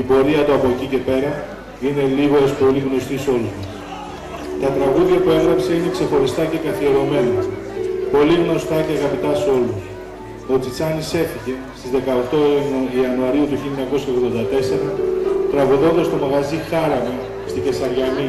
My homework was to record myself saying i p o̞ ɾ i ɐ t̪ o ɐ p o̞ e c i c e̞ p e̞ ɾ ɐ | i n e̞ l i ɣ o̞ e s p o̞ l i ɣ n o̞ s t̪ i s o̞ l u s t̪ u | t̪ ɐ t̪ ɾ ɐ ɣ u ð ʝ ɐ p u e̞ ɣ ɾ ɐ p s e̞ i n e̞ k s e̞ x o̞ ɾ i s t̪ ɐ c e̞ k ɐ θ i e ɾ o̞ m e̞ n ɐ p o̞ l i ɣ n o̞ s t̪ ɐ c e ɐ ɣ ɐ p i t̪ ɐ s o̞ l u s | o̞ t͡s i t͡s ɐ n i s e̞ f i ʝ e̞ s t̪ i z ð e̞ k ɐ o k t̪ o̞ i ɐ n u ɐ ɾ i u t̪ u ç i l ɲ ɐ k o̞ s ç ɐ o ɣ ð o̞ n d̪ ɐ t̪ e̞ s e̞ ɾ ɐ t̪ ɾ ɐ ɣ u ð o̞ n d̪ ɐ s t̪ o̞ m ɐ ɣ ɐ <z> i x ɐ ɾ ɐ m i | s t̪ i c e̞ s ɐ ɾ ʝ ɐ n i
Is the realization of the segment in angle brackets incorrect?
no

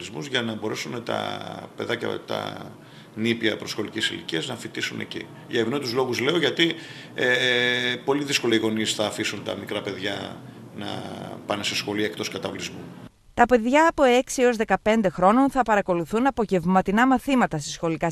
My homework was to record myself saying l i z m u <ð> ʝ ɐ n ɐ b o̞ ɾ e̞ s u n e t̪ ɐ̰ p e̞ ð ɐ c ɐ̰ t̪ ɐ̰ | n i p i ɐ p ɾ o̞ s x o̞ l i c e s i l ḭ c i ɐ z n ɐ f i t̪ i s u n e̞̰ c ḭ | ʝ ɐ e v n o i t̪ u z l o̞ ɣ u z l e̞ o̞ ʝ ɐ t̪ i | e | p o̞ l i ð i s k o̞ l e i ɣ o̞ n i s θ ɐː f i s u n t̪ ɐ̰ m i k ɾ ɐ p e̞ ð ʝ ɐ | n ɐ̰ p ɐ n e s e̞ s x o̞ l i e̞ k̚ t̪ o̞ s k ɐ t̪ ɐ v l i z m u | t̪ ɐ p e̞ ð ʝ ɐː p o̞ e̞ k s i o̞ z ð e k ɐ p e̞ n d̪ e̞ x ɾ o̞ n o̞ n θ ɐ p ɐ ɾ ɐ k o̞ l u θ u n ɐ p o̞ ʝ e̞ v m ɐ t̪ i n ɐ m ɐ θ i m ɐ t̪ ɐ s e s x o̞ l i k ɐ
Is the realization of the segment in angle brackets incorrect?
yes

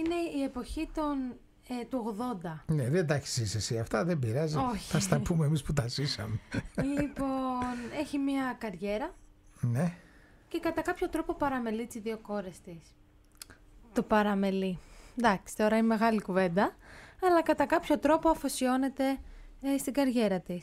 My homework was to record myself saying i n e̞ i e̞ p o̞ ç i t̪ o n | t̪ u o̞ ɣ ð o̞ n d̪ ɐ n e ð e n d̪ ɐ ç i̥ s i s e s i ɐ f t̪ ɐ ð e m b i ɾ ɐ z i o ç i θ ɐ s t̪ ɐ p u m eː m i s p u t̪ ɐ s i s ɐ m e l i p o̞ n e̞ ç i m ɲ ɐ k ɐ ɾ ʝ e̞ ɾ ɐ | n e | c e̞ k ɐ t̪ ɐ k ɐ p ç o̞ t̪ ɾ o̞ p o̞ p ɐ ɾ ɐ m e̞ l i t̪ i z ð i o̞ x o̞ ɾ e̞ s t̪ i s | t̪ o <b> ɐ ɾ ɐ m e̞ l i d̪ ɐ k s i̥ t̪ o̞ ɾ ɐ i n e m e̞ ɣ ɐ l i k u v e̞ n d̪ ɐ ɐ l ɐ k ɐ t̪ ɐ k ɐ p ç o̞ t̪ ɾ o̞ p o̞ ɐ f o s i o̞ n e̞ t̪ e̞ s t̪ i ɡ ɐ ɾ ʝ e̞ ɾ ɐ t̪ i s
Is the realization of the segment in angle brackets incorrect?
yes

